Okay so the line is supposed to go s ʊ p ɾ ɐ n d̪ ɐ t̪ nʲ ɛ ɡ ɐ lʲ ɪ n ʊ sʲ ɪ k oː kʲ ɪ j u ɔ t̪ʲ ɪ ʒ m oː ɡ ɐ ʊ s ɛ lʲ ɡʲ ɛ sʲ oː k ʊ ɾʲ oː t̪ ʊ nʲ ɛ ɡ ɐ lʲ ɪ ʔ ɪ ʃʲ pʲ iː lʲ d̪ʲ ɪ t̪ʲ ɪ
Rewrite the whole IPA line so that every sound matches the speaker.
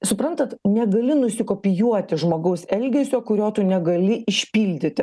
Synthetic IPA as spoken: s ʊ p ɾ ɐ n t̪ ɐ t̪ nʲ ɛ ɡ ɐ lʲ ɪ n ʊ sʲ ɪ k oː pʲ ɪ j u ɔ t̪ʲ ɪ ʒ m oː ɡ ɐ ʊ s ɛ lʲ ɡʲ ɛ sʲ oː k ʊ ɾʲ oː t̪ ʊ nʲ ɛ ɡ ɐ lʲ ɪ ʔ ɪ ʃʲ pʲ iː lʲ d̪ʲ ɪ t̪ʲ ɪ

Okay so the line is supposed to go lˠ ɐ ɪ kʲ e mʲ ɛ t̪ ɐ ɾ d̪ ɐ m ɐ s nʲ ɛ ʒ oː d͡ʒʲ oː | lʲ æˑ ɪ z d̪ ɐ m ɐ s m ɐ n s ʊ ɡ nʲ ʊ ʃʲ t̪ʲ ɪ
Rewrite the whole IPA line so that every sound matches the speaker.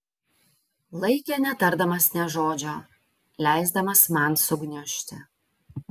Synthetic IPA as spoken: lˠ ɐ ɪ kʲ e nʲ ɛ t̪ ɐ ɾ d̪ ɐ m ɐ s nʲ ɛ ʒ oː d͡ʒʲ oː | lʲ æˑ ɪ z d̪ ɐ m ɐ s m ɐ n s ʊ ɡ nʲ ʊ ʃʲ t̪ʲ ɪ

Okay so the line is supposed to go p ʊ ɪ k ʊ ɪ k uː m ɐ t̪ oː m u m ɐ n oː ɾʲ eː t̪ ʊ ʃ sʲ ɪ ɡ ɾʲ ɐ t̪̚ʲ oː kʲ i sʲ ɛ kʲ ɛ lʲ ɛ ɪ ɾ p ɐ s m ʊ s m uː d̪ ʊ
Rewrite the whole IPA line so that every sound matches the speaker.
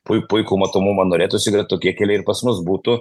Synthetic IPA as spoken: p ʊ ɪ p ʊ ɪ k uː m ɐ t̪ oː m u m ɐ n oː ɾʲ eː t̪ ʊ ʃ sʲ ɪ ɡ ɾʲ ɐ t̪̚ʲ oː kʲ i ɛ kʲ ɛ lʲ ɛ ɪ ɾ p ɐ s m ʊ s b uː t̪ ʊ

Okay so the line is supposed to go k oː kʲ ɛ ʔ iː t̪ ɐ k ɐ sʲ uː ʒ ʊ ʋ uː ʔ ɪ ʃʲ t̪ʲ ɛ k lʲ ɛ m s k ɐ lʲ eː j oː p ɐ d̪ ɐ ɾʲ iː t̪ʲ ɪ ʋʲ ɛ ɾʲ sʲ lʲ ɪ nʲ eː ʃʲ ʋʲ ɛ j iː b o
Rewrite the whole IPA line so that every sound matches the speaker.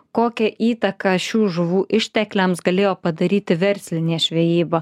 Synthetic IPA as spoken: k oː kʲ ɛ ʔ iː t̪ ɐ k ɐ ʃʲ uː ʒ ʊ ʋ uː ʔ ɪ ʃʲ t̪ʲ ɛ k lʲ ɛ m s ɡ ɐ lʲ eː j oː p ɐ d̪ ɐ ɾʲ iː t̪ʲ ɪ ʋʲ ɛ ɾʲ sʲ lʲ ɪ nʲ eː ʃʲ ʋʲ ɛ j iː b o

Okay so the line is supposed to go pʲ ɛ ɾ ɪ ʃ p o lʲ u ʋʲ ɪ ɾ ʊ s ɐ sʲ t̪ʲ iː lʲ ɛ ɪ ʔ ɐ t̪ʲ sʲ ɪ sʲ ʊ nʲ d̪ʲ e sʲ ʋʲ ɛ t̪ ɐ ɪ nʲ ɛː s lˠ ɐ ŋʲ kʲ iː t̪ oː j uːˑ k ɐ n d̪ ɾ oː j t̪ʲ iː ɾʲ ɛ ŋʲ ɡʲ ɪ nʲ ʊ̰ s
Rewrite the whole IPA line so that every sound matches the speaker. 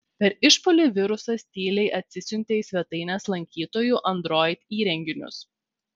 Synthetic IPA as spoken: pʲ ɛ ɾ ɪ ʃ p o lʲ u ʋʲ ɪ ɾ ʊ s ɐ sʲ t̪ʲ iː lʲ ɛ ɪ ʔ ɐ t̪ʲ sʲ ɪ sʲ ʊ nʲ t̪ʲ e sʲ ʋʲ ɛ t̪ ɐ ɪ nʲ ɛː s lˠ ɐ ŋʲ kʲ iː t̪ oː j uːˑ ʔ ɐ n d̪ ɾ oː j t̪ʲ iː ɾʲ ɛ ŋʲ ɡʲ ɪ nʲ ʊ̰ s

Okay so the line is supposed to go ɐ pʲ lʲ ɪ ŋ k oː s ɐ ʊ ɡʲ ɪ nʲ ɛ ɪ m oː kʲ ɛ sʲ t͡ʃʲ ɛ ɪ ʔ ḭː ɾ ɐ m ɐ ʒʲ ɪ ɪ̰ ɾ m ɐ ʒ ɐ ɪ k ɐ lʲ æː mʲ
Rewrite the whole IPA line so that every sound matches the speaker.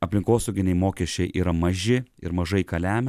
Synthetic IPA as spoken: ɐ pʲ lʲ ɪ ŋ k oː s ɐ ʊ ɡʲ ɪ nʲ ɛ ɪ m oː kʲ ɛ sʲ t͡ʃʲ ɛ ɪ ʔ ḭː ɾ ɐ m ɐ ʒʲ ɪ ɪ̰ ɾ m ɐ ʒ ɐ ɪ k ɐ lʲ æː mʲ

